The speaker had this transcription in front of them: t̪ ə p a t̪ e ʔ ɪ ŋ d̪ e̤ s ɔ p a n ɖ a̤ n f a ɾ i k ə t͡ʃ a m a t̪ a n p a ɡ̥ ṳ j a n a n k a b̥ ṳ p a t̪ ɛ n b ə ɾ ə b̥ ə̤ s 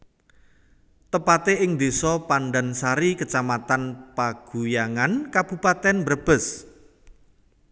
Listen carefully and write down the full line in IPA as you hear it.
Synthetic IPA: t̪ ə p a t̪ e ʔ ɪ ŋ d̪ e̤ s ɔ p a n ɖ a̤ n s a ɾ i k ə t͡ʃ a m a t̪ a n p a ɡ̥ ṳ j a ŋ a n k a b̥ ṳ p a t̪ ɛ n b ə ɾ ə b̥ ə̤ s